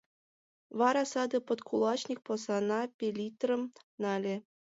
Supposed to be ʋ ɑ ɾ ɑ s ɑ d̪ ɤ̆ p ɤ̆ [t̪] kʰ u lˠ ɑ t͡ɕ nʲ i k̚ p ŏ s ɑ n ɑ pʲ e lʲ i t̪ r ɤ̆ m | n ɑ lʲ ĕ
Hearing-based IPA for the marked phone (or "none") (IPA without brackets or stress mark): t̪